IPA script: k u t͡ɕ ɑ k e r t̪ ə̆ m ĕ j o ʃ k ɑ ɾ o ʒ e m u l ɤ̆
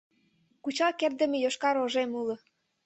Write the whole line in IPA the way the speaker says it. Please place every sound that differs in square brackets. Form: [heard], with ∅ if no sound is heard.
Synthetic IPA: k u t͡ɕ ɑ k e r [d̪] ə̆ m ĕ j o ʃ k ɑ ɾ o ʒ e m u l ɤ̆